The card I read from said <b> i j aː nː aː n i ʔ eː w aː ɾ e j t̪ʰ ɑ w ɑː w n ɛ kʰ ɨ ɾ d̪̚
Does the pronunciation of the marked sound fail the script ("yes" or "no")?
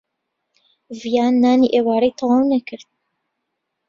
yes